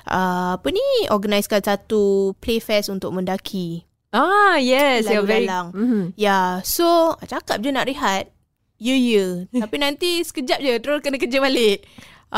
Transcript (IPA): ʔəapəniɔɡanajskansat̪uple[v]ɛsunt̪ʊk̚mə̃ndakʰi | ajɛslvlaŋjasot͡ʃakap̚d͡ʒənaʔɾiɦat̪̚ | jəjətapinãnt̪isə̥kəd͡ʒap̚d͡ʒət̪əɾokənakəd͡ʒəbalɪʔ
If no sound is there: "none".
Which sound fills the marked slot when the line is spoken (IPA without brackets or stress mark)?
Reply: f